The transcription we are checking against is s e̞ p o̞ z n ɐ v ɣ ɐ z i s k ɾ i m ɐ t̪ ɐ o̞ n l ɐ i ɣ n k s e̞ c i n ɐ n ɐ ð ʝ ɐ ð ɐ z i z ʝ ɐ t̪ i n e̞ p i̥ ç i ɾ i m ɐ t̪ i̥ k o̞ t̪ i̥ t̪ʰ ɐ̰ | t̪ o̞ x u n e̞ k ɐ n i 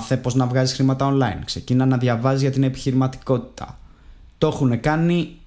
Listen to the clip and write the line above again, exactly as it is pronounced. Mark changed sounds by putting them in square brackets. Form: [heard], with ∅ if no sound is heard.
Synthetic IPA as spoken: [θ] e̞ p o̞ z n ɐ v ɣ ɐ z i s [x] ɾ i m ɐ t̪ ɐ o̞ n l ɐ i [∅] n k s e̞ c i n ɐ n ɐ ð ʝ ɐ [v] ɐ z i z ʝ ɐ t̪ i n e̞ p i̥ ç i ɾ i m ɐ t̪ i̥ k o̞ t̪ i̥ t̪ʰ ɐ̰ | t̪ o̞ x u n e̞ k ɐ n i